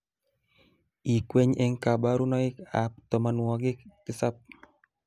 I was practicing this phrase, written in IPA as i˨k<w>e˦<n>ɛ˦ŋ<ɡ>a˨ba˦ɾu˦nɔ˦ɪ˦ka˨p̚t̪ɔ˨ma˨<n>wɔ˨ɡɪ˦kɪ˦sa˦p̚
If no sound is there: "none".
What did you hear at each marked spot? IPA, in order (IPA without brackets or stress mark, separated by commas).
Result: w, ɲ, k, n